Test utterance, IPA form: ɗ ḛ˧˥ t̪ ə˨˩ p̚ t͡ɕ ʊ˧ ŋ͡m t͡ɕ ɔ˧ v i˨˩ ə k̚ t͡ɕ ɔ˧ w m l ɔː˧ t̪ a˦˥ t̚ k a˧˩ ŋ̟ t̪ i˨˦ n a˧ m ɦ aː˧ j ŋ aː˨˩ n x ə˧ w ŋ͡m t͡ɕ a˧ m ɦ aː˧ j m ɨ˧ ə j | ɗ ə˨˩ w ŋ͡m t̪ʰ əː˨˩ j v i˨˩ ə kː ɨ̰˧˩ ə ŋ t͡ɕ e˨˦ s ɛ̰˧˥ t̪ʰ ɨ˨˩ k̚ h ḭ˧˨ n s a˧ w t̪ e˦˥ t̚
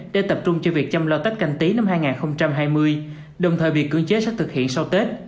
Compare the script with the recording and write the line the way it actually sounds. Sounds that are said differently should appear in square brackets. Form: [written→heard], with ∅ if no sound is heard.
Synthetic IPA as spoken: ɗ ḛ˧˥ t̪ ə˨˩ p̚ t͡ɕ ʊ˧ ŋ͡m t͡ɕ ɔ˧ v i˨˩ ə k̚ t͡ɕ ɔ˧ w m l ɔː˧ t̪ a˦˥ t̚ k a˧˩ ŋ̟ t̪ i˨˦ n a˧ m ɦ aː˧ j ŋ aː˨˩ n x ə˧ w ŋ͡m t͡ɕ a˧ m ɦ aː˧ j m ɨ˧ ə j | ɗ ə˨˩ w ŋ͡m t̪ʰ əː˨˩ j v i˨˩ ə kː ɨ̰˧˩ ə ŋ t͡ɕ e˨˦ s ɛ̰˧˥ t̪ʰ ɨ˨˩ k̚ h ḭ˧˨ n s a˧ w t̪ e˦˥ t̚